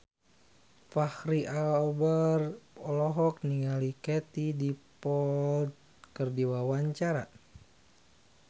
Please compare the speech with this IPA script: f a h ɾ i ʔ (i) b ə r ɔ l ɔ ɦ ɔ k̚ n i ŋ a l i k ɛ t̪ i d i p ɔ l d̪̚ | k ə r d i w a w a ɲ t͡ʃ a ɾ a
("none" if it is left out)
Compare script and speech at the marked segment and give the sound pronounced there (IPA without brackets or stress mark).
a